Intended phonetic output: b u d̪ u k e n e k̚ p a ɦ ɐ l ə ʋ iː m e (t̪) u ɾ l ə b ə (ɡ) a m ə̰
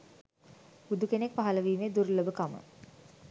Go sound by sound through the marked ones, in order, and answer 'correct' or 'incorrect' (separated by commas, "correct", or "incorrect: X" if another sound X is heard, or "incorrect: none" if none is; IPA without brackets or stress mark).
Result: incorrect: d̪, incorrect: k